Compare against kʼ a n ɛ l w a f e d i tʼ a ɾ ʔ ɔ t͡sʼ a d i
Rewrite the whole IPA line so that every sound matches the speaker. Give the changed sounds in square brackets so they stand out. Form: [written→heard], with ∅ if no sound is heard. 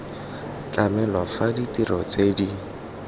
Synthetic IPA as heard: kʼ a [n→m] ɛ l w a f [e→a] d i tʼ [a→i] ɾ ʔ ɔ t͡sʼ [a→e] d i